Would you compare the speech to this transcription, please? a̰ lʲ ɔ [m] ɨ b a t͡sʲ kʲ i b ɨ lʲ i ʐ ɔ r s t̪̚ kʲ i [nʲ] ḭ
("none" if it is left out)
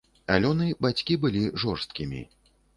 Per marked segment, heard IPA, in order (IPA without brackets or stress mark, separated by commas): n, mʲ